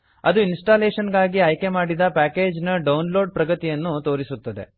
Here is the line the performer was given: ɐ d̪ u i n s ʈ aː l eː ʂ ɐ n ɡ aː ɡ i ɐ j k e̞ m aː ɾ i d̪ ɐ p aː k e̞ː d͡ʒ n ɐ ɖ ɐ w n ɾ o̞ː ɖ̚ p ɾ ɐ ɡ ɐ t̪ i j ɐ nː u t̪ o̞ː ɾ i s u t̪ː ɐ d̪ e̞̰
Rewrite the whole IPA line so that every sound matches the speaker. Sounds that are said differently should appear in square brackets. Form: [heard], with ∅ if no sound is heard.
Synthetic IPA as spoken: ɐ d̪ u i n s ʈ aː l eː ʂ ɐ n ɡ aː ɡ i ɐ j k e̞ m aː [ɽ] i d̪ ɐ p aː k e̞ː d͡ʒ n ɐ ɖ ɐ w n [l] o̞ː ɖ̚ p ɾ ɐ ɡ ɐ t̪ i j ɐ nː u t̪ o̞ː ɾ i s u t̪ː ɐ d̪ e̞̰